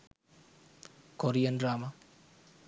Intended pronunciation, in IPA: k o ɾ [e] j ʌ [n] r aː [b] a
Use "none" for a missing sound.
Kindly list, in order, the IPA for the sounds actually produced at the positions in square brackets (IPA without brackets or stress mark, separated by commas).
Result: i, n, m